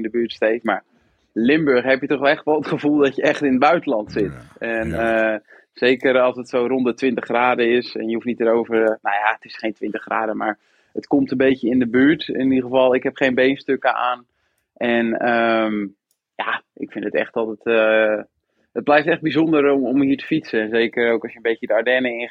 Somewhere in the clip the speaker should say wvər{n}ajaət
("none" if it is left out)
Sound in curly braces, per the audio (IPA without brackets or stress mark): n